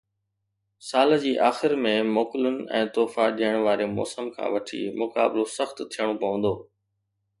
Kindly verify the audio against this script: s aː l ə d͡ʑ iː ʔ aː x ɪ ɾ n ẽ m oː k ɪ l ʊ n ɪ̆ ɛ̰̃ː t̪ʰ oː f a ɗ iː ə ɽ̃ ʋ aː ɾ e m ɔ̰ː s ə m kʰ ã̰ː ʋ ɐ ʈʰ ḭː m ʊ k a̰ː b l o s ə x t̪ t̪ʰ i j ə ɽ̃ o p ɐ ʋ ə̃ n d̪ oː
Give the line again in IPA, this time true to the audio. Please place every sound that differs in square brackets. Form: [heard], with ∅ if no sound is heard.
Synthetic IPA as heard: s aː l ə d͡ʑ iː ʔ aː x ɪ ɾ [m] ẽ m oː k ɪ l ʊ n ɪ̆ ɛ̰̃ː [t̪] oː f a ɗ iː ə ɽ̃ ʋ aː ɾ e m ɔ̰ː s ə m kʰ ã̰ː ʋ ɐ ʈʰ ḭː m ʊ k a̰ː b l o s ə x t̪ t̪ʰ i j ə ɽ̃ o p ɐ ʋ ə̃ n d̪ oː